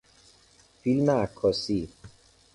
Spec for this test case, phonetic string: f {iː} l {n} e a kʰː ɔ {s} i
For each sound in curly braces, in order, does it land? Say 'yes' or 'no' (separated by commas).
no, no, yes